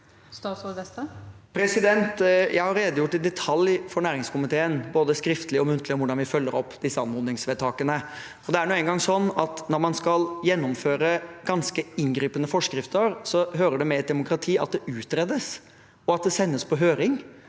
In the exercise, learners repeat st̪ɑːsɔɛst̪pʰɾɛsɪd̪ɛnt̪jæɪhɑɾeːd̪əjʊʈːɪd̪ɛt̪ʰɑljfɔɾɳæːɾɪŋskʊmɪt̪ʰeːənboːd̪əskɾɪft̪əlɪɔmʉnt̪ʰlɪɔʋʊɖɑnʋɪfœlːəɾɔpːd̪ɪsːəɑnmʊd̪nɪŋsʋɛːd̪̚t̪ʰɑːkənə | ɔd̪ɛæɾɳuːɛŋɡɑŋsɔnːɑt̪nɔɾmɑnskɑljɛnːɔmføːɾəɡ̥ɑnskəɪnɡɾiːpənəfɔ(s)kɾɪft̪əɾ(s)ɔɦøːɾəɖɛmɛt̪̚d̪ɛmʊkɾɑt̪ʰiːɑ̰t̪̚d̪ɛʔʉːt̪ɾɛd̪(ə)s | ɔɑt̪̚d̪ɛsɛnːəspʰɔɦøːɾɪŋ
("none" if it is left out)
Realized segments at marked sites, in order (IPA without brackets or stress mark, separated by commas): ʂ, s, ə